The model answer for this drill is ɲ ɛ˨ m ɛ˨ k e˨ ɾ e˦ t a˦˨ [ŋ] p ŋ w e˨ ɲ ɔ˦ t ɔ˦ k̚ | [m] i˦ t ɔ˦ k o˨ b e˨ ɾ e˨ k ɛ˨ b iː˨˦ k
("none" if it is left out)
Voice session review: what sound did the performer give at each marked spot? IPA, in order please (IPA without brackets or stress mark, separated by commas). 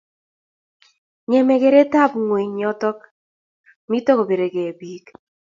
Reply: none, m